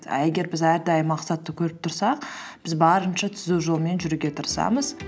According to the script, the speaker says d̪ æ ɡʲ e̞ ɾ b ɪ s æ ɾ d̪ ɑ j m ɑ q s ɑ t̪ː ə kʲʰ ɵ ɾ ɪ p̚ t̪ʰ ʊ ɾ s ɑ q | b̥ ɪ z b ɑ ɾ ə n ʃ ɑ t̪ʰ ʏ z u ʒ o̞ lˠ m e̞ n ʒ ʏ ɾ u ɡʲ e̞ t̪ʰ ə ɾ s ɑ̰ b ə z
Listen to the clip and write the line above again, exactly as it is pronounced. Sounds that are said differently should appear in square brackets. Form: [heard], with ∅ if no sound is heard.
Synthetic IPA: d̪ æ ɡʲ e̞ ɾ b ɪ [z] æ ɾ d̪ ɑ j m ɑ q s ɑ t̪ː ə kʲʰ ɵ ɾ ɪ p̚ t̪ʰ ʊ ɾ s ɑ q | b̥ ɪ z b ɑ ɾ ə n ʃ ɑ t̪ʰ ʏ z u ʒ o̞ lˠ m e̞ n ʒ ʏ ɾ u ɡʲ e̞ t̪ʰ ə ɾ s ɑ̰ [m] ə z